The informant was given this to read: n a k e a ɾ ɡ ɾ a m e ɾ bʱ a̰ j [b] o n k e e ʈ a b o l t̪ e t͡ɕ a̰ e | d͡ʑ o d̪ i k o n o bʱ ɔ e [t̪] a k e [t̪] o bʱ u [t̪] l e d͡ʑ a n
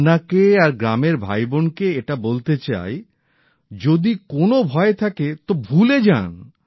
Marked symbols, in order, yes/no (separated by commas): yes, no, yes, no